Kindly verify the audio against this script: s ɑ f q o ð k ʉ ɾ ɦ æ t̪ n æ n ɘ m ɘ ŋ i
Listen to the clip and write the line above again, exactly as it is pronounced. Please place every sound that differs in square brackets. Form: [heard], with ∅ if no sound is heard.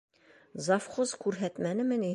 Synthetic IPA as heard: [z] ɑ f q o [z] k ʉ ɾ ɦ æ t̪ [m] æ n ɘ m ɘ [n] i

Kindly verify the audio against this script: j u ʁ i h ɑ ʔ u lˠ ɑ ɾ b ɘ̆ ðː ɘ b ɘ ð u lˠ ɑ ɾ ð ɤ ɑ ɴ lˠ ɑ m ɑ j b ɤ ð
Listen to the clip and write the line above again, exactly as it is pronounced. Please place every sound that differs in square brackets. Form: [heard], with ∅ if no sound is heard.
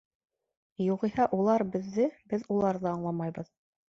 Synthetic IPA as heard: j u ʁ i h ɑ ʔ u lˠ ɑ ɾ b ɘ̆ ðː ɘ b ɘ ð u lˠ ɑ ɾ ð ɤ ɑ ɴ lˠ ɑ m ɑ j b ɤ ð

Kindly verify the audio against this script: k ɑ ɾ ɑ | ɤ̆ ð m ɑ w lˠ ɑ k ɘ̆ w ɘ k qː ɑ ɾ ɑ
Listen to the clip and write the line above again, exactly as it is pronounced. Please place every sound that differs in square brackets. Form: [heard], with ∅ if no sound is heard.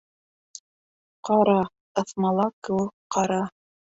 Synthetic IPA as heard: [q] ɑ ɾ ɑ | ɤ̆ [θ] m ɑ [∅] lˠ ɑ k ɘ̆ w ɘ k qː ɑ ɾ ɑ

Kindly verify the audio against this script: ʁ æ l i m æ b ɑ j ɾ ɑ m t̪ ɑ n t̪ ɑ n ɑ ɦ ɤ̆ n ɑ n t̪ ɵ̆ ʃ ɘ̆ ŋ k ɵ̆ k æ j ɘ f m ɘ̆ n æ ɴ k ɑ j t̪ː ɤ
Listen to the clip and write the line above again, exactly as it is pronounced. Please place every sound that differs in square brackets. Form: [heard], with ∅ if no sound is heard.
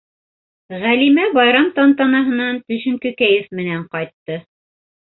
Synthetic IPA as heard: ʁ æ l i m æ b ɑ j ɾ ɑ m t̪ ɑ n t̪ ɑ n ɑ ɦ ɤ̆ n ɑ n t̪ ɵ̆ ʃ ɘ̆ ŋ k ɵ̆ k æ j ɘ f m ɘ̆ n æ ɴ [q] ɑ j t̪ː ɤ

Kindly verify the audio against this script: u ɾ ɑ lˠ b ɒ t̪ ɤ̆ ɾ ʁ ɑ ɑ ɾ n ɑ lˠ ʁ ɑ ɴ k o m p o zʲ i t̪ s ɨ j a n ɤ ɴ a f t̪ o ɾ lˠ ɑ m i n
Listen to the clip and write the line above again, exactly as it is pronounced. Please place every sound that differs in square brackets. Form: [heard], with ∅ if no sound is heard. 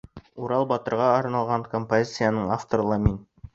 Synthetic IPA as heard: u ɾ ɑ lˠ b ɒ t̪ ɤ̆ ɾ ʁ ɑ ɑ ɾ n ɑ lˠ ʁ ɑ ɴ k o m p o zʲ i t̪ s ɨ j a n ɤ ɴ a f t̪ o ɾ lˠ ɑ m i n

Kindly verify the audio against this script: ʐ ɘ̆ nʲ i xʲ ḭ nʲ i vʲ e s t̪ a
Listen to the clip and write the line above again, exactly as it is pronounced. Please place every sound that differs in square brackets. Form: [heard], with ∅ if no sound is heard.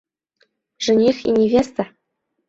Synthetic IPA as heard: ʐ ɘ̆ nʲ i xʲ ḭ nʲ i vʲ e s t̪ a

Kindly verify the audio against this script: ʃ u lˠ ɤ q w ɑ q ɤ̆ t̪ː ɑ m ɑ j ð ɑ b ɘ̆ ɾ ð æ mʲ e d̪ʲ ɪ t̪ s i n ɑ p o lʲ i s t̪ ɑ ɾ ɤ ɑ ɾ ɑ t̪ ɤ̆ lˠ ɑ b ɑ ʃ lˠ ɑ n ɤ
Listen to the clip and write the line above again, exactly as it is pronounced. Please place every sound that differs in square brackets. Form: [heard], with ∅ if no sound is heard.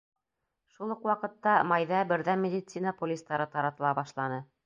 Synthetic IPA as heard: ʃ u lˠ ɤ q w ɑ q ɤ̆ t̪ː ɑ m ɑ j ð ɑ b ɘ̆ ɾ ð æ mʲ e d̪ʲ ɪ t̪ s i n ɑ p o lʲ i s t̪ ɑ ɾ ɤ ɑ ɾ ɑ t̪ ɤ̆ lˠ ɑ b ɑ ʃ lˠ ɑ n ɤ

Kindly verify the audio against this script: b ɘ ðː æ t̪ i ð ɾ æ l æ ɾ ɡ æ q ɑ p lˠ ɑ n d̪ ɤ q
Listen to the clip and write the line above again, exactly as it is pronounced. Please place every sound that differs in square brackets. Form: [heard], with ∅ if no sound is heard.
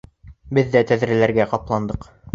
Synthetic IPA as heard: b ɘ ðː æ t̪ [æ] ð ɾ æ l æ ɾ ɡ æ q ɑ p lˠ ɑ n d̪ ɤ q

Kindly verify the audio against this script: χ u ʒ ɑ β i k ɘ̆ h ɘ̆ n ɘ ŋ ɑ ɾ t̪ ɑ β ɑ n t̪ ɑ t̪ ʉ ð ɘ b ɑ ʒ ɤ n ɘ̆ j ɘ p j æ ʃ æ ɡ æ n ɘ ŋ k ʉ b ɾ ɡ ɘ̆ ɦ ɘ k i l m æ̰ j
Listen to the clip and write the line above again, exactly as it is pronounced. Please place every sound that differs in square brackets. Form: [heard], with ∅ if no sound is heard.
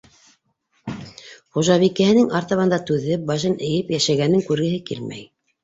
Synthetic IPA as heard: χ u ʒ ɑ β i k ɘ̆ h ɘ̆ n ɘ ŋ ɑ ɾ t̪ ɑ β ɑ n [d̪] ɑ t̪ ʉ ð ɘ b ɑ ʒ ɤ n ɘ̆ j ɘ p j æ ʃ æ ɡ æ n ɘ ŋ k ʉ [∅] ɾ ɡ ɘ̆ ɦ ɘ k i l m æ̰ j

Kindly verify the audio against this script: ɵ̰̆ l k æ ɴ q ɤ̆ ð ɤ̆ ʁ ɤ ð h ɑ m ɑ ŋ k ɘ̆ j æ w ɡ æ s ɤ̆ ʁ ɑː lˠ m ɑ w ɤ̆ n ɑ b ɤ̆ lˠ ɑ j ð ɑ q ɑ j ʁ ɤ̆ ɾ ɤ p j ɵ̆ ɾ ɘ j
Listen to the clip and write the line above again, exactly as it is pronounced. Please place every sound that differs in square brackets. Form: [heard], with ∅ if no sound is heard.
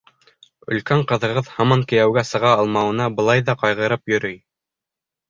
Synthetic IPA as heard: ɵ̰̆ l k æ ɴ q ɤ̆ ð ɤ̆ ʁ ɤ ð h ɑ m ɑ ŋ k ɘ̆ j æ w ɡ æ s ɤ̆ ʁ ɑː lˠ m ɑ w ɤ̆ n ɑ b ɤ̆ lˠ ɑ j ð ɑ q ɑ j ʁ ɤ̆ ɾ ɤ p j ɵ̆ ɾ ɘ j

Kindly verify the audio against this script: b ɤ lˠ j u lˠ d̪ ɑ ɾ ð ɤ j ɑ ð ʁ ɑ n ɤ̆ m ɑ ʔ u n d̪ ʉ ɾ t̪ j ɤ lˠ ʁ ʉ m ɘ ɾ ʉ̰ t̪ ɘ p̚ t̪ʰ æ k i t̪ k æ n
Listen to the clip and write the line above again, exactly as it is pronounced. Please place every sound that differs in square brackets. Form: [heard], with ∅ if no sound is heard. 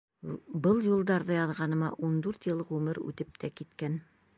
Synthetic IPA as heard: b ɤ lˠ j u lˠ d̪ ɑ ɾ ð ɤ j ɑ ð ʁ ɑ n ɤ̆ m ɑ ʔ u n d̪ ʉ ɾ t̪ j ɤ lˠ ʁ ʉ m ɘ ɾ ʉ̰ t̪ ɘ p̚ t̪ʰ æ k i t̪ k æ n

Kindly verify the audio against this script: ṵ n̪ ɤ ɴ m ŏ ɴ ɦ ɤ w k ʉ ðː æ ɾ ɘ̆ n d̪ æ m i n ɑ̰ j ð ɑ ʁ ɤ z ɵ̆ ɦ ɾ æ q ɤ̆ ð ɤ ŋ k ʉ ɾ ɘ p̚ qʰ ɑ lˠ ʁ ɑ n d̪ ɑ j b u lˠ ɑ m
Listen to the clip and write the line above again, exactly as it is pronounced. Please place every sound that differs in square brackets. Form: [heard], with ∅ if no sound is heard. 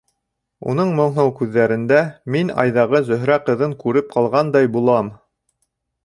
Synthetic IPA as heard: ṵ n̪ ɤ ɴ m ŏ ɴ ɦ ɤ w k ʉ ðː æ ɾ ɘ̆ n d̪ æ m i n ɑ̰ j ð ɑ ʁ ɤ z ɵ̆ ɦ ɾ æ q ɤ̆ ð ɤ ŋ k ʉ ɾ ɘ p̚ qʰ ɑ lˠ ʁ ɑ n d̪ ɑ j b u lˠ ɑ m

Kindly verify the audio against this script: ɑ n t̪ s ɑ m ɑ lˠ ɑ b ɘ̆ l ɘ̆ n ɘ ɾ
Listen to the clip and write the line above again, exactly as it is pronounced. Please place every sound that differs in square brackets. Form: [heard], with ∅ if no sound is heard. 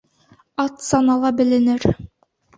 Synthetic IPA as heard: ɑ [∅] t̪ s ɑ [n] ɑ lˠ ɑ b ɘ̆ l ɘ̆ n ɘ ɾ

